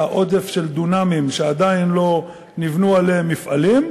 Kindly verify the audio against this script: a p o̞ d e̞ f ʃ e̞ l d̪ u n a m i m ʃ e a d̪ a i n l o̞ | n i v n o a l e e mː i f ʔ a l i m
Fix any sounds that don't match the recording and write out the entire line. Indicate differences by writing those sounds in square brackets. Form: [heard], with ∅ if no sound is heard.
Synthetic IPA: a [ʔ] o̞ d e̞ f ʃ e̞ l d̪ u n a m i m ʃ e a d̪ a i n l o̞ | n i v n [u] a l e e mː i f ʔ a l i m